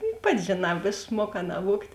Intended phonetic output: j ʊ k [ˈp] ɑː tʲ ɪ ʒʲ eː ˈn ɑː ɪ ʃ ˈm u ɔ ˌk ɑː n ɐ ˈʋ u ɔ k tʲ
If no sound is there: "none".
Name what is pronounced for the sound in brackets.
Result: p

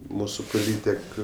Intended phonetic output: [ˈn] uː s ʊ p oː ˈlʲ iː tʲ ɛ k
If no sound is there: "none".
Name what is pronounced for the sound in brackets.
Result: m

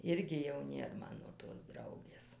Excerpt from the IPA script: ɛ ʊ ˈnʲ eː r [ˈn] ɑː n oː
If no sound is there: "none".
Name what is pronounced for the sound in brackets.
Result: m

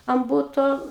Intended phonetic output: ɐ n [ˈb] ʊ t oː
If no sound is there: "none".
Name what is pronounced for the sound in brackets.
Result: b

